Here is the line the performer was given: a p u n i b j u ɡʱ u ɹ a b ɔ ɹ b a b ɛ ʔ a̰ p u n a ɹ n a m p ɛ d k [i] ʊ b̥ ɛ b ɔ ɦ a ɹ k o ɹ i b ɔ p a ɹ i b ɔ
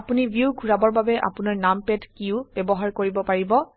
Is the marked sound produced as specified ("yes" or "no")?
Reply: yes